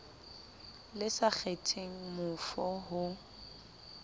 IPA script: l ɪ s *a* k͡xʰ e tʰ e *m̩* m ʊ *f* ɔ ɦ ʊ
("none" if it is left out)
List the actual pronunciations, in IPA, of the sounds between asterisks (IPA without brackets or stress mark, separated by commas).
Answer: a, ŋ̩, f